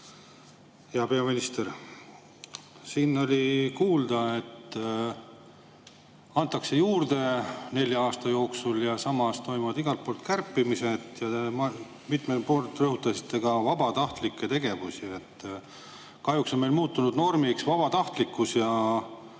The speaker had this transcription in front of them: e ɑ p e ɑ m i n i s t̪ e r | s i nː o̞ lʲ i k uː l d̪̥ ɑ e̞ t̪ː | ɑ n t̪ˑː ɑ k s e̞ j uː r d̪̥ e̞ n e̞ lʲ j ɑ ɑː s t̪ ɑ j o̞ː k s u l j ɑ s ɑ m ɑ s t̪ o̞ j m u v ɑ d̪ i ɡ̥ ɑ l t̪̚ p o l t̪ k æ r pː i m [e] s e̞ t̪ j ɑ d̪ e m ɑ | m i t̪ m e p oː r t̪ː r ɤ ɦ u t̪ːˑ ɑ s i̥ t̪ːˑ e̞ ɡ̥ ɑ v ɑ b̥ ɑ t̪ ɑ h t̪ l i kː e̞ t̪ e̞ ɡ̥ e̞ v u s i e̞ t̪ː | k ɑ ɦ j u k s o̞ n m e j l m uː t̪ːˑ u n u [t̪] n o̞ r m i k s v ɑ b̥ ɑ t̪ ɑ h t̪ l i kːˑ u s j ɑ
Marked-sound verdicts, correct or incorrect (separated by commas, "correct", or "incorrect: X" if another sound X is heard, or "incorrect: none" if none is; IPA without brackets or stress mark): incorrect: i, incorrect: d̪